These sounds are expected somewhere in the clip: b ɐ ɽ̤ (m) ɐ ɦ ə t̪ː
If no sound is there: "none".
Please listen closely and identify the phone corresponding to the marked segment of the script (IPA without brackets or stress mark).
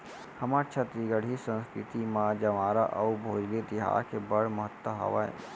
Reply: m